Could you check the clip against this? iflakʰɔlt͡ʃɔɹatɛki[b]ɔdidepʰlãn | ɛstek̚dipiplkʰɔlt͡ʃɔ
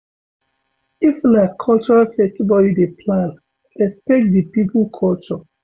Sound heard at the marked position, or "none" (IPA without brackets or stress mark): b